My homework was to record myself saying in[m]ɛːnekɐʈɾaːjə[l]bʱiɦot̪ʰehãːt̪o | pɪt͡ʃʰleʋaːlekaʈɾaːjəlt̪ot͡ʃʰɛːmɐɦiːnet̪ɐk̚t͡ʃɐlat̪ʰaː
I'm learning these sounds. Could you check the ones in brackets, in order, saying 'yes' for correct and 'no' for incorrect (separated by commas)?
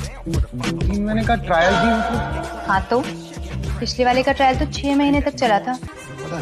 yes, yes